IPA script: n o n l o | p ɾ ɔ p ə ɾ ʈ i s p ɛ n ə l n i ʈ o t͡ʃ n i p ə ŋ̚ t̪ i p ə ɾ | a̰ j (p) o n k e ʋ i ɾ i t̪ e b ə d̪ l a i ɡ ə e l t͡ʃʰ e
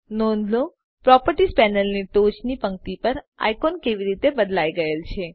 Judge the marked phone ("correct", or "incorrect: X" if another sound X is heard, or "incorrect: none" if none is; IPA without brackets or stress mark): incorrect: k